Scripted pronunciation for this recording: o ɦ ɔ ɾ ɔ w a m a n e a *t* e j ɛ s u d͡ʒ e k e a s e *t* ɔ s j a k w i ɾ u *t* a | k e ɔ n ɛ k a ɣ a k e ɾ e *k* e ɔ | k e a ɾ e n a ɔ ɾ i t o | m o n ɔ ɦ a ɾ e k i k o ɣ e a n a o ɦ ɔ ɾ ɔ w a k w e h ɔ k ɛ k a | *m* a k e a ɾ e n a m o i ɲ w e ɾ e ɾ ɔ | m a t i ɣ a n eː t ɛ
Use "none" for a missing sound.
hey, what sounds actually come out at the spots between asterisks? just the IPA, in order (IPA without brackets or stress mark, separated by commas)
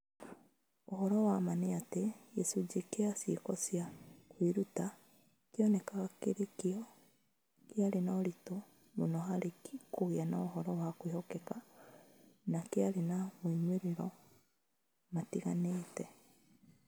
t, k, t, k, n